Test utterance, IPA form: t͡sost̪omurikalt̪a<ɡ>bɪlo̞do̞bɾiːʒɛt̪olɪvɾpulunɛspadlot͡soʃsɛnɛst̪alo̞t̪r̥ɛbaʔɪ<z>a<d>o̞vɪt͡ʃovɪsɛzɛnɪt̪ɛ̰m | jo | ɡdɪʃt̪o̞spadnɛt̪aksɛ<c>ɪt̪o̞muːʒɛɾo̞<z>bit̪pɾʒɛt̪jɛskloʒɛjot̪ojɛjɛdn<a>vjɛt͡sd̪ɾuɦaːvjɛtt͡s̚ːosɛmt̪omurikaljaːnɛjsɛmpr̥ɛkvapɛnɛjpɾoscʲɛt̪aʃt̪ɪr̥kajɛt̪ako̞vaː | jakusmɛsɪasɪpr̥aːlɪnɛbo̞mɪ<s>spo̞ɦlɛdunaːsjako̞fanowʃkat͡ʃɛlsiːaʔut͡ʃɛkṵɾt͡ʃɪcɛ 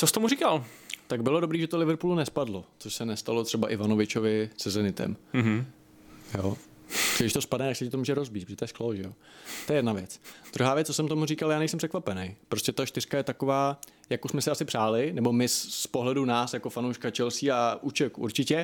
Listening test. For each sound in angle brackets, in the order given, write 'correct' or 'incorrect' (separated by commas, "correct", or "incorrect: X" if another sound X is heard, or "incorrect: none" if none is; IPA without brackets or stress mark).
correct, incorrect: v, incorrect: n, correct, correct, correct, correct